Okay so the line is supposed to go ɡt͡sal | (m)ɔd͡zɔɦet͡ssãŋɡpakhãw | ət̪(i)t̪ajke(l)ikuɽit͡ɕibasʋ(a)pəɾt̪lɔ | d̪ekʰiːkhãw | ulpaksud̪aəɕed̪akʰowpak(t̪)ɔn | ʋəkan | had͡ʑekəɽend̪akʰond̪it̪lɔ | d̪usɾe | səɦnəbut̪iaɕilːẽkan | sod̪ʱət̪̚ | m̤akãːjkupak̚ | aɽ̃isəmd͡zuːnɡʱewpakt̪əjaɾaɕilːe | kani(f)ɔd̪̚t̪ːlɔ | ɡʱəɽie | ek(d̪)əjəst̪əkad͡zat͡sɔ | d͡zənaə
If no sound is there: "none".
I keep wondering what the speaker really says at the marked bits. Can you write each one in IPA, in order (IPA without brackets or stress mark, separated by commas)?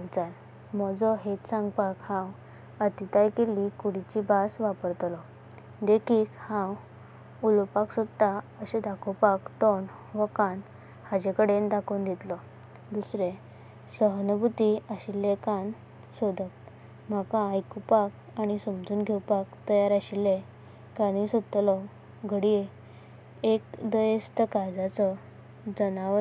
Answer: m, i, l, a, t̪, s, d̪